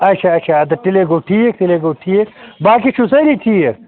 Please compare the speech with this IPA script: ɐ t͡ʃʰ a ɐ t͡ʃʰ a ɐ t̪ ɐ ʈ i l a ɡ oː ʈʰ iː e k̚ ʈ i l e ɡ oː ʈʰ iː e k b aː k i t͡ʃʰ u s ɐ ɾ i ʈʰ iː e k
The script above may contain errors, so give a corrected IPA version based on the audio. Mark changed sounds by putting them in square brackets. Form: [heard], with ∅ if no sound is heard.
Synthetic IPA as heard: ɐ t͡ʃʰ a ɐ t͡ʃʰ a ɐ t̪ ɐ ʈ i l [e] ɡ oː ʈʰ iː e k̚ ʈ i l e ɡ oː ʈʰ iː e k b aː k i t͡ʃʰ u s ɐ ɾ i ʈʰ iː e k